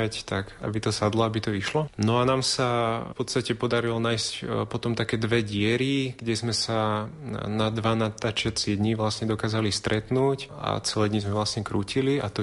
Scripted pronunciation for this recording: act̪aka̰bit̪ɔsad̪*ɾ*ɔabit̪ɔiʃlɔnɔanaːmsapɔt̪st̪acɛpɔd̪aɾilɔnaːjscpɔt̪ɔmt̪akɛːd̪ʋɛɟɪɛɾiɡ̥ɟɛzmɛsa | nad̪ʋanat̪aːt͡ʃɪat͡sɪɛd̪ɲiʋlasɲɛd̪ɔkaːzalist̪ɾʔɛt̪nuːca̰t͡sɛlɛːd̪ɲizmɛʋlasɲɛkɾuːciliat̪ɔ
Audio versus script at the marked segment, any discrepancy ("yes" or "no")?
yes